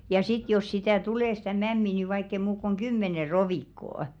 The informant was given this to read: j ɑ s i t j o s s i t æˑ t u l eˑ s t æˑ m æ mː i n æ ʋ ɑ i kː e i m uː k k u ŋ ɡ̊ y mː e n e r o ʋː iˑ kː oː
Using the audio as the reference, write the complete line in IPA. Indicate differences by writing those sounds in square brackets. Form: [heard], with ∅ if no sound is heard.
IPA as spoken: j ɑ s i t j o s s i t æˑ t u l eˑ s t æˑ m æ mː i n [i] ʋ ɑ i kː e i m uː k k u ŋ ɡ̊ y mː e n e r o [ʋ] iˑ kː oː